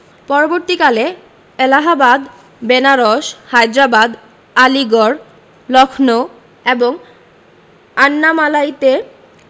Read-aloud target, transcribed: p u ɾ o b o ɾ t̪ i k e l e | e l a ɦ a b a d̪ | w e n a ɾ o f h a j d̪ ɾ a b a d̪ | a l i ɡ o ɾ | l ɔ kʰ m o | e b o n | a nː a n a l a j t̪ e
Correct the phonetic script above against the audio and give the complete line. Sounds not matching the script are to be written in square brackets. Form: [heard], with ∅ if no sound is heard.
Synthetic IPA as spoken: p [ɔ] ɾ o b o ɾ t̪ i k [a] l e | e l a ɦ a b a d̪ | [b] e n a ɾ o [ʃ] h a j d̪ ɾ a b a d̪ | a l i ɡ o ɾ | l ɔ kʰ [n] o | e b o [ŋ] | a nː a [m] a l a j t̪ e